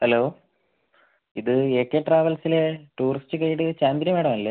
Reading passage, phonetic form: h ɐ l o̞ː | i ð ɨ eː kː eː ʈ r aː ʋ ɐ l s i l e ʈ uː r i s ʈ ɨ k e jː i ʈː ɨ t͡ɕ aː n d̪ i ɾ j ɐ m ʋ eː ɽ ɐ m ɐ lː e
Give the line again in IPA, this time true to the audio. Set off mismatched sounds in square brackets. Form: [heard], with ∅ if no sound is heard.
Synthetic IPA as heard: h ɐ l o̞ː | i ð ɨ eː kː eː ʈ r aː ʋ ɐ l s i l e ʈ uː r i s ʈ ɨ k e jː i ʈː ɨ t͡ɕ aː n d̪ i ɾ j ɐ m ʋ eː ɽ ɐ m ɐ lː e